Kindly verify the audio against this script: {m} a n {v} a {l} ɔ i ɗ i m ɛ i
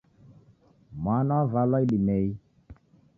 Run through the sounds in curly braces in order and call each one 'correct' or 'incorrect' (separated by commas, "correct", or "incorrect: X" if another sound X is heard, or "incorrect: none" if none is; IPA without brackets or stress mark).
correct, correct, correct